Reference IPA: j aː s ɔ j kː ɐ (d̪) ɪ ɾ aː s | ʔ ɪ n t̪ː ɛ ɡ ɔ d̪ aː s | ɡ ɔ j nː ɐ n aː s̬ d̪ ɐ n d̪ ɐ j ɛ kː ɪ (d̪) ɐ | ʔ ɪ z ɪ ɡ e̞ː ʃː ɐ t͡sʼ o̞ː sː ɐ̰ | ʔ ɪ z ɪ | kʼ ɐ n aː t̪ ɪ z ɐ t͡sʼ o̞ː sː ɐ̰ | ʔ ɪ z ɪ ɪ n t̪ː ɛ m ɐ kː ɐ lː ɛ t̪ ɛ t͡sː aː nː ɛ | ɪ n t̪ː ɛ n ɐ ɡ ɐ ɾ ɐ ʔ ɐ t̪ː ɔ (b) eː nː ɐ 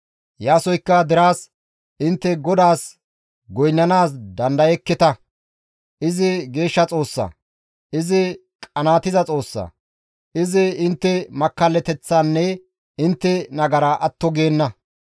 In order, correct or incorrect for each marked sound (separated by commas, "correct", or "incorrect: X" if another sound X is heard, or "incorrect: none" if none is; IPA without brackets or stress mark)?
correct, incorrect: t̪, incorrect: ɡ